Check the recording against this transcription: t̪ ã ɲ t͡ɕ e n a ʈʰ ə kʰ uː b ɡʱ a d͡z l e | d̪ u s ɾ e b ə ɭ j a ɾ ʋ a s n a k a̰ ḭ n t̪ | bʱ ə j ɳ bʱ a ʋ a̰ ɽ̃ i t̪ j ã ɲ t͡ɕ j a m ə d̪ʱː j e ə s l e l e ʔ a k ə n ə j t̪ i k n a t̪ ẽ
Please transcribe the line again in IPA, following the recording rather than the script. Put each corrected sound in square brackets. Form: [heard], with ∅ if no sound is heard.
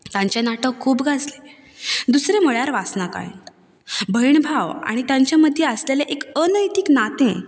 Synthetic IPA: t̪ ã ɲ t͡ɕ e n a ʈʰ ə kʰ uː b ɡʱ a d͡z l e | d̪ u s ɾ e [m] ə ɭ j a ɾ ʋ a s n a k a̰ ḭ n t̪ | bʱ ə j ɳ bʱ a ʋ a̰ ɽ̃ i t̪ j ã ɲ t͡ɕ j a m ə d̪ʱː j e ə s l e l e ʔ [e] k ə n ə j t̪ i k n a t̪ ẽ